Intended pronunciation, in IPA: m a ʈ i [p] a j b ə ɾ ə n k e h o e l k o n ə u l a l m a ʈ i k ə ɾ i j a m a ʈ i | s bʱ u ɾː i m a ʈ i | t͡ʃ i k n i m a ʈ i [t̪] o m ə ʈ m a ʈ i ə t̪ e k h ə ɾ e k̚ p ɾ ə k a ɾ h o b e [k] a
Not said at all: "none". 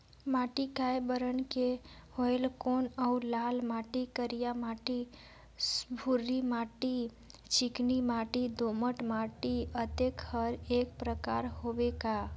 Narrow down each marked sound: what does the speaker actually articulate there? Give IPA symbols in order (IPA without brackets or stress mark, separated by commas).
k, d̪, k